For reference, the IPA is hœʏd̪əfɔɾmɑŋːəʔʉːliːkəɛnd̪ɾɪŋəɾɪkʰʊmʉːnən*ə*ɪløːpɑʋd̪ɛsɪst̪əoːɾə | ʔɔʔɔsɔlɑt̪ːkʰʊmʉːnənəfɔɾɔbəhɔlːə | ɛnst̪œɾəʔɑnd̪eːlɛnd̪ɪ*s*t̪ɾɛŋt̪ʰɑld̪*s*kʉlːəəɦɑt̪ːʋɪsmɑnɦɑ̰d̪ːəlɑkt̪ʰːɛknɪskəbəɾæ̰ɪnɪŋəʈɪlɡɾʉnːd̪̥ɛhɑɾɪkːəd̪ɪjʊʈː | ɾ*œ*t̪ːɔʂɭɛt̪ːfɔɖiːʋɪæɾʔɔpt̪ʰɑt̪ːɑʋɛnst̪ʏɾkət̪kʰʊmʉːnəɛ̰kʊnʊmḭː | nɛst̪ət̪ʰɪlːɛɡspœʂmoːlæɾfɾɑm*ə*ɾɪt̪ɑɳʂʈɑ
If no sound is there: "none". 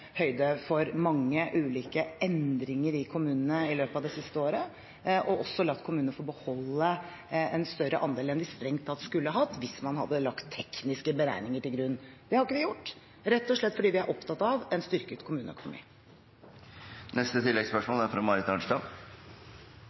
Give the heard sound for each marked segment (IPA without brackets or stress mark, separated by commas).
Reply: ə, s, s, ɛ, ɑ